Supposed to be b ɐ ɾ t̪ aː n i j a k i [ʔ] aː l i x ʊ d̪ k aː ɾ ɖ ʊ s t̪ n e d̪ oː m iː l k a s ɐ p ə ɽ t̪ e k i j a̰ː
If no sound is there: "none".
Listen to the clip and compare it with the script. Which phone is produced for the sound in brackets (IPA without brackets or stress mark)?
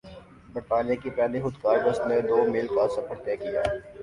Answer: p